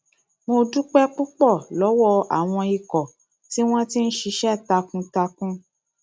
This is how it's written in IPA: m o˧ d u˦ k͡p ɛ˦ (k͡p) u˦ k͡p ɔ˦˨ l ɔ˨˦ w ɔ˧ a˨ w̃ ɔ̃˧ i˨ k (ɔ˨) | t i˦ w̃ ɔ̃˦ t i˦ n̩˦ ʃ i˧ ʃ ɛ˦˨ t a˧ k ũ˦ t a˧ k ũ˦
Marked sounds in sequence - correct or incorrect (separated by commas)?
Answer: correct, correct